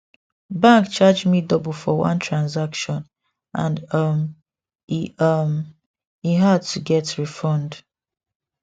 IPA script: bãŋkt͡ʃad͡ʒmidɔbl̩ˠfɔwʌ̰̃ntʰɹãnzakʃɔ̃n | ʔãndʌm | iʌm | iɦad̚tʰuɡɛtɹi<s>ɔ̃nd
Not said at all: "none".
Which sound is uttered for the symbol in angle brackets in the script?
f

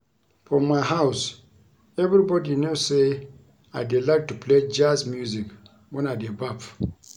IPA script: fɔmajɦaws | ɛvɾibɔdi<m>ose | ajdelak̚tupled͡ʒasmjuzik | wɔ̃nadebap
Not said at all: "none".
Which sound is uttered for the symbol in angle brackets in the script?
n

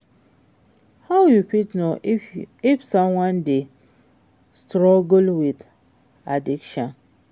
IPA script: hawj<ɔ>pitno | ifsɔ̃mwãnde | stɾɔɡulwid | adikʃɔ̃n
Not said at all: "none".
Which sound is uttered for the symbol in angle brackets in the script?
u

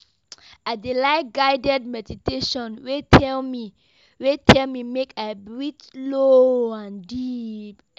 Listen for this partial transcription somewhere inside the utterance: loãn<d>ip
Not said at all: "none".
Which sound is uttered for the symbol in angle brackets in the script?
d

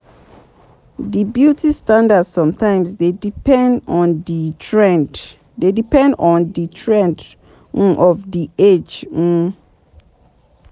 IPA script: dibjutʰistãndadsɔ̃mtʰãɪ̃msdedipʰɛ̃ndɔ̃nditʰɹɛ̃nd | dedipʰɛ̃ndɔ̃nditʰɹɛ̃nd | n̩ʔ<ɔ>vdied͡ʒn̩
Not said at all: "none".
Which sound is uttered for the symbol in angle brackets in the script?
ɔ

